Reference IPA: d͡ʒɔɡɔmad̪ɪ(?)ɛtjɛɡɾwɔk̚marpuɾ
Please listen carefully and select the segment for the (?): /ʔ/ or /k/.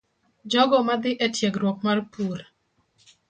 ʔ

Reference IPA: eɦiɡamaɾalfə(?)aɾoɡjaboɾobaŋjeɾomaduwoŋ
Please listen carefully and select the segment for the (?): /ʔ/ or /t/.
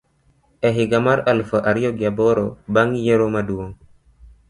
ʔ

